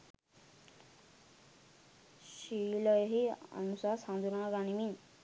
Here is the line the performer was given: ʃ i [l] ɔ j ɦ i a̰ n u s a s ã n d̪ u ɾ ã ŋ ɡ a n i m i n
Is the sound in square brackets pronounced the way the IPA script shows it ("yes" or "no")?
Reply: yes